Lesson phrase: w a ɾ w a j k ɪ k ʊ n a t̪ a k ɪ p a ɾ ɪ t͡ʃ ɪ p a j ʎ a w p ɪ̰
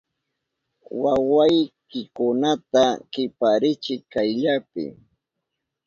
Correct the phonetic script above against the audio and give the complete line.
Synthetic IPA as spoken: w a w a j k ɪ k ʊ n a t̪ a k ɪ p a ɾ ɪ t͡ʃ ɪ k a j ʎ a p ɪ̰